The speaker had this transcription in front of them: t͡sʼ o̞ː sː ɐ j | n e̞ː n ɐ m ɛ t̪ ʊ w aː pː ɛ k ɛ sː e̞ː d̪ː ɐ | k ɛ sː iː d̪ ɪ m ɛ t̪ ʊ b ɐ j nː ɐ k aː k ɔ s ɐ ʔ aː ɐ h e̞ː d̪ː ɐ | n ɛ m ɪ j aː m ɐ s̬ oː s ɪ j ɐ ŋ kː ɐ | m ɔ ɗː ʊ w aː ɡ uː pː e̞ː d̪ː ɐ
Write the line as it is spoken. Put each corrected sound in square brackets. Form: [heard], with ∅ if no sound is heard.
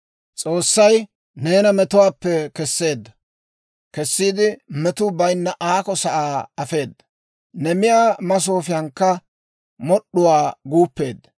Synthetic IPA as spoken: t͡sʼ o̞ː sː ɐ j | n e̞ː n ɐ m ɛ t̪ ʊ w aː pː ɛ k ɛ sː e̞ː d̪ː ɐ | k ɛ sː iː d̪ ɪ m ɛ t̪ ʊ b ɐ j nː ɐ [ʔ] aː k ɔ s ɐ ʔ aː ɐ [f] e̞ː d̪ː ɐ | n ɛ m ɪ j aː m ɐ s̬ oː [f] ɪ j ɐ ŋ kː ɐ | m ɔ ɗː ʊ w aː ɡ uː pː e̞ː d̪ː ɐ